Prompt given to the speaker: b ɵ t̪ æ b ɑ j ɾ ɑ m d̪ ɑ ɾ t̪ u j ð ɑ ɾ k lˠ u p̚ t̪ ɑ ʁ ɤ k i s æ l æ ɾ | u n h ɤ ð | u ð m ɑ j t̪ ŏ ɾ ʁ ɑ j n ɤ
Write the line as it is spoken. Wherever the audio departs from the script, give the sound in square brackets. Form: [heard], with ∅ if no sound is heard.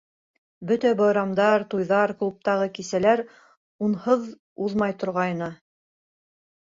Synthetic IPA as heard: b ɵ t̪ æ b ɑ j ɾ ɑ m d̪ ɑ ɾ t̪ u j ð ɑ ɾ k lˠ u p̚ t̪ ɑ ʁ ɤ k i s æ l æ ɾ | u n h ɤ ð | u ð m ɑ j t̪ ŏ ɾ ʁ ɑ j n ɤ